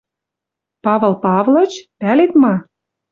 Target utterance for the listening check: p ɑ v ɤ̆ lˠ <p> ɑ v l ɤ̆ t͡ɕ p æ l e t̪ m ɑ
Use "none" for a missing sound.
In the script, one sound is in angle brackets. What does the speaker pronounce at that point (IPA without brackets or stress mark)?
p